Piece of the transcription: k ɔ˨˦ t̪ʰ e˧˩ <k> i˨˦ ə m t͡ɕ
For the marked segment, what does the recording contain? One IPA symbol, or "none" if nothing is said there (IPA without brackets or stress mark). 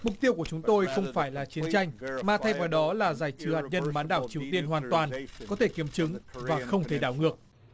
k